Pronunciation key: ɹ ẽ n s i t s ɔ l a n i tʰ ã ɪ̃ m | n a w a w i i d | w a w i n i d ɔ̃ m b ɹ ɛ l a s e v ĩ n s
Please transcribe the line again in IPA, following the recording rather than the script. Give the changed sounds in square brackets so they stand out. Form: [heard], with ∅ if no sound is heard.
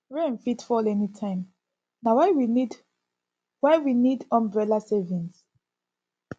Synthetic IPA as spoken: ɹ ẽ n [f] i t [f] ɔ l [ɛ] n i tʰ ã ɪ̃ m | n a w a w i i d | w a w i n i d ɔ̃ m b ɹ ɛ l a s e v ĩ n s